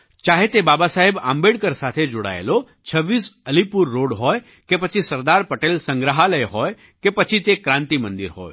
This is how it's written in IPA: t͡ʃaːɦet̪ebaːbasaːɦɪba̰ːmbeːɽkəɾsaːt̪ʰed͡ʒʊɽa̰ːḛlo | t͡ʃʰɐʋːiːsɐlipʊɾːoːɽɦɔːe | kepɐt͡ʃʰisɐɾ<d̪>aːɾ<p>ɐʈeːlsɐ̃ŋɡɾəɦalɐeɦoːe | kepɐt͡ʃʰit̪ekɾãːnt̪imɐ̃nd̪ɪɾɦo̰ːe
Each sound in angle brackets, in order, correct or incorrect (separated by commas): correct, correct